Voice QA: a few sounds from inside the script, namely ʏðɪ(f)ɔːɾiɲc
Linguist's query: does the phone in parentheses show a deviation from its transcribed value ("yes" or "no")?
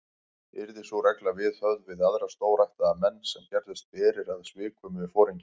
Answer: no